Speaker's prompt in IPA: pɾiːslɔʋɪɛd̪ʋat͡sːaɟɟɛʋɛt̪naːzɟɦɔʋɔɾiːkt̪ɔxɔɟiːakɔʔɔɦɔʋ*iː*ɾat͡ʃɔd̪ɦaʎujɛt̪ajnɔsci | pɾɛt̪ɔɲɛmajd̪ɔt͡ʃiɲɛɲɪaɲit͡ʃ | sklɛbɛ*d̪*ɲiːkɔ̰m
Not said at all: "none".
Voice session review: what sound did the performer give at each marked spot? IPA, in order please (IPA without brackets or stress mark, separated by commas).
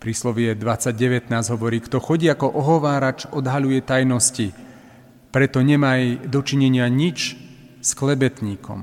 aː, t̪